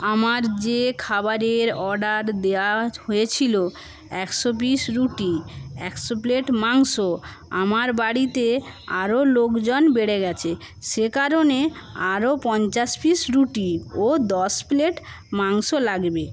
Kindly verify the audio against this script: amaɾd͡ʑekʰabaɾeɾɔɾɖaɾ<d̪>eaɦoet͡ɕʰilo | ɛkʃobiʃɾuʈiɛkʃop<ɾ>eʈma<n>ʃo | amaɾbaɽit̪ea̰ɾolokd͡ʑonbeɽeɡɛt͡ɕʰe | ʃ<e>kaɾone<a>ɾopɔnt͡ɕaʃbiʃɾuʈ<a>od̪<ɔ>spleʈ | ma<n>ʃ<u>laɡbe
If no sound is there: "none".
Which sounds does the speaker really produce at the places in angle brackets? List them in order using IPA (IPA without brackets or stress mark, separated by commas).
d̪, l, ŋ, e, a, i, ɔ, ŋ, o